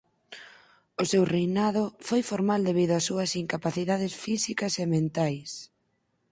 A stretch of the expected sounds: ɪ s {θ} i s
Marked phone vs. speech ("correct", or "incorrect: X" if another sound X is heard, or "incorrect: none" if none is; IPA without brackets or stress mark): incorrect: f